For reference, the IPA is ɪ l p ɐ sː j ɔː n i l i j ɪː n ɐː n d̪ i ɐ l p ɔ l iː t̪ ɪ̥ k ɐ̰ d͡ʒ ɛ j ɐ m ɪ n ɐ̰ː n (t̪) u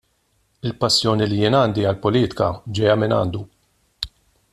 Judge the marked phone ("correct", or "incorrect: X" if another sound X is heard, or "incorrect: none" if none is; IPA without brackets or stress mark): incorrect: d̪